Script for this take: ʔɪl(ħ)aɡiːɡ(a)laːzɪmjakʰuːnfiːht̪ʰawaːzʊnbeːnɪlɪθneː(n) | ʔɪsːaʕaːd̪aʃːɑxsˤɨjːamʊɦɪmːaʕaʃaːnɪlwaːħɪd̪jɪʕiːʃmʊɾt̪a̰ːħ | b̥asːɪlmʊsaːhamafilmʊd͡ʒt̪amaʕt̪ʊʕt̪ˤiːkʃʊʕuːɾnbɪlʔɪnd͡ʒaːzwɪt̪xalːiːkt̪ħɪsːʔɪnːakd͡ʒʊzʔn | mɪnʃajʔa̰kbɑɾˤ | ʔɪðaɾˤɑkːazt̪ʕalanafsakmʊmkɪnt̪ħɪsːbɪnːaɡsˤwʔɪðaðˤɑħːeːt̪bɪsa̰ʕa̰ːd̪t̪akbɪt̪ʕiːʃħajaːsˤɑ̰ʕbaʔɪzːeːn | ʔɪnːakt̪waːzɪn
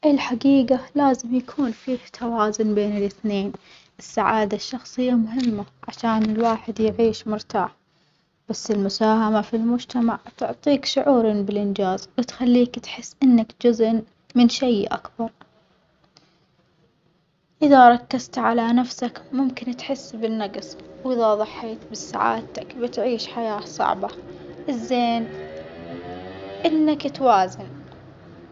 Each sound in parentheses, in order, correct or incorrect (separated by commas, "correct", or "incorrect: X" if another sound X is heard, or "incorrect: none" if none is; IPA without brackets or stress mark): correct, correct, correct